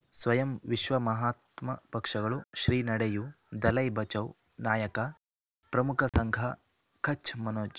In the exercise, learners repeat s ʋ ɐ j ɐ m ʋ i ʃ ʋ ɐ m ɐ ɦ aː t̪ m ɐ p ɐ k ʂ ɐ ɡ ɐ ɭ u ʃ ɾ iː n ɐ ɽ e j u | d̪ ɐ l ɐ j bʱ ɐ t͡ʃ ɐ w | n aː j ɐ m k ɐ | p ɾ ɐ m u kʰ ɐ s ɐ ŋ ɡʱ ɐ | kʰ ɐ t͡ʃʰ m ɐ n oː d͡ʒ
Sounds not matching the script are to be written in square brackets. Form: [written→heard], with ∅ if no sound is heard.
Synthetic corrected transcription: s ʋ ɐ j ɐ m ʋ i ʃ ʋ ɐ m ɐ ɦ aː t̪ m ɐ p ɐ k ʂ ɐ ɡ ɐ ɭ u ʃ ɾ iː n ɐ ɽ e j u | d̪ ɐ l ɐ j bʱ ɐ t͡ʃ ɐ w | n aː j ɐ [m→∅] k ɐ | p ɾ ɐ m u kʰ ɐ s ɐ ŋ ɡʱ ɐ | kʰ ɐ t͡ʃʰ m ɐ n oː d͡ʒ